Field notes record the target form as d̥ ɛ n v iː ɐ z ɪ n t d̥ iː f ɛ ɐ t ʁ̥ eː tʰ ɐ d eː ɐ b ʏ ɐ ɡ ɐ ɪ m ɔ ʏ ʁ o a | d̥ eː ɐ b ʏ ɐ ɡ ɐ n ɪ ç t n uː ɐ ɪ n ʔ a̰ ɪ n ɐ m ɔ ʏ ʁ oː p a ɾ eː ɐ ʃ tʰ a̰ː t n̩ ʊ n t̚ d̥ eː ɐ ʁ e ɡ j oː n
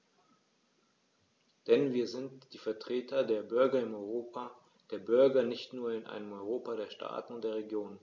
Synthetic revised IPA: d̥ ɛ n v iː ɐ z ɪ n t d̥ iː f ɛ ɐ t ʁ̥ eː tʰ ɐ d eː ɐ b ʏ ɐ ɡ ɐ ɪ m ɔ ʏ ʁ o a | d̥ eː ɐ b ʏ ɐ ɡ ɐ n ɪ ç t n uː ɐ ɪ n ʔ a̰ ɪ n ə m ɔ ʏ ʁ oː p a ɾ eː ɐ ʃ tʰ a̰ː t n̩ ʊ n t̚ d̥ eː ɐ ʁ e ɡ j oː n